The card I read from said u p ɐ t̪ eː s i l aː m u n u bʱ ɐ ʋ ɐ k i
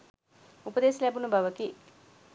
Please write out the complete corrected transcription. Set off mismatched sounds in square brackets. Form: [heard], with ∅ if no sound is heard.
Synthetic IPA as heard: u p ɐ [d̪] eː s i l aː [b] u n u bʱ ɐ ʋ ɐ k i

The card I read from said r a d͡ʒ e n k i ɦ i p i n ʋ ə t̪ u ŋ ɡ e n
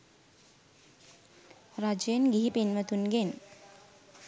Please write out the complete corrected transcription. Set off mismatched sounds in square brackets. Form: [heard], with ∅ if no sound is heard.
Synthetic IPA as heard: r a d͡ʒ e n [ɡ] i ɦ i p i n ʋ ə t̪ u [n] ɡ e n

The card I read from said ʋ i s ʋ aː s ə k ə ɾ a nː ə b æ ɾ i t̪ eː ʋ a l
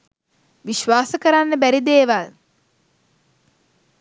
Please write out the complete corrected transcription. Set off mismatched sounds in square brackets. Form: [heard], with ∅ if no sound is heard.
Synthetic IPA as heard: ʋ i [ʃ] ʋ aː s ə k ə ɾ a nː ə b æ ɾ i [d̪] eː ʋ a l

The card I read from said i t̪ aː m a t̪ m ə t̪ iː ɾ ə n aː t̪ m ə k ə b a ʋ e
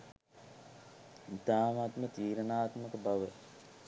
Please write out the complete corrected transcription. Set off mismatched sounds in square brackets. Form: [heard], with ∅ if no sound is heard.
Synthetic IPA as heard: i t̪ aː m a t̪ m ə t̪ iː ɾ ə n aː t̪ m ə k ə b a ʋ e

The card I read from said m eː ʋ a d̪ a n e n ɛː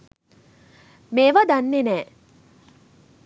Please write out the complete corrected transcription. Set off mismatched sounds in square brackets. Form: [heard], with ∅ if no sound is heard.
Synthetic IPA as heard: m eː ʋ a d̪ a [nː] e n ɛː

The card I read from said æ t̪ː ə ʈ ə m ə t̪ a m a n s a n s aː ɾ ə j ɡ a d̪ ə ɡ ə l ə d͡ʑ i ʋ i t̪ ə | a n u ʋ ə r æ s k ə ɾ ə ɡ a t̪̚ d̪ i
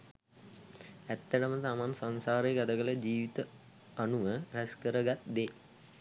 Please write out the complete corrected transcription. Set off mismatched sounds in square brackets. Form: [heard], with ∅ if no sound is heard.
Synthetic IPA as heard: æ t̪ː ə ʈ ə m ə t̪ a m a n s a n s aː ɾ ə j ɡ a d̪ ə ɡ ə l ə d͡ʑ [iː] ʋ i t̪ ə | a n u ʋ ə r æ s k ə ɾ ə ɡ a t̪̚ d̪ [e]

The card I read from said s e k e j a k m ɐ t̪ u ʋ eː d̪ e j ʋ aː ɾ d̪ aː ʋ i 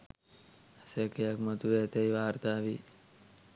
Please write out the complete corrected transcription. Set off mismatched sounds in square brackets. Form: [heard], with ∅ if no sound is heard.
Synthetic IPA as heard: s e k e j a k m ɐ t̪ u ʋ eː [t̪] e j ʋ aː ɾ [t̪] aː ʋ i

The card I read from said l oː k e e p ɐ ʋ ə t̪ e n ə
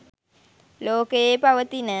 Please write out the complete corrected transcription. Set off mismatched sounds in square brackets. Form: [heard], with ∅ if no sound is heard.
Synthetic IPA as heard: l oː k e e p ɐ ʋ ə t̪ [i] n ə

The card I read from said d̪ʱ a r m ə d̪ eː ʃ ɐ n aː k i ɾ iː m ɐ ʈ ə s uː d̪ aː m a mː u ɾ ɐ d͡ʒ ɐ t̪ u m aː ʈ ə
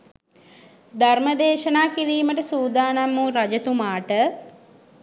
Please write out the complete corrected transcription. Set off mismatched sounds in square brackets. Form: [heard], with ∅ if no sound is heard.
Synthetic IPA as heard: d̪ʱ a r m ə d̪ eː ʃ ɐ n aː k i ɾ iː m [ə] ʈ ə s uː d̪ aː [n] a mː u ɾ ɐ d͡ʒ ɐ t̪ u m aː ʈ ə

